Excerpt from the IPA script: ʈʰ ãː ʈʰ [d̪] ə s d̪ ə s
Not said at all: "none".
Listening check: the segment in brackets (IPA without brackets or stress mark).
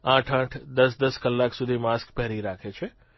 d̪